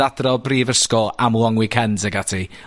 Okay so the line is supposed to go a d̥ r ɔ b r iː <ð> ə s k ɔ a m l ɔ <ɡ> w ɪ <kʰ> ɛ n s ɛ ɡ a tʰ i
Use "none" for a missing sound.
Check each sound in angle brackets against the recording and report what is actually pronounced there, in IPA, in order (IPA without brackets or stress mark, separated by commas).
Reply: v, ŋ, kʰ